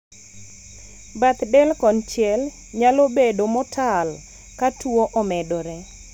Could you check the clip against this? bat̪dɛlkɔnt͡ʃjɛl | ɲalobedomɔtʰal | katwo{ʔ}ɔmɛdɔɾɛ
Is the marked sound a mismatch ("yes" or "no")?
no